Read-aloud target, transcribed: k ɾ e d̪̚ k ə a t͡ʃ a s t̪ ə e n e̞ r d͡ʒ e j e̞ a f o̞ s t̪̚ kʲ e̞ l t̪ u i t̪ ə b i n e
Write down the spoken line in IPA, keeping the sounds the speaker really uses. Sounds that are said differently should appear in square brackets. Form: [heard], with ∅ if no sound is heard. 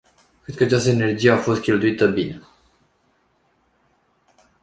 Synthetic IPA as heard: k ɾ e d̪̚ k ə a t͡ʃ a s t̪ ə e n e̞ r d͡ʒ [i] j e̞ a f o̞ s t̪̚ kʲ e̞ l t̪ u i t̪ ə b i n e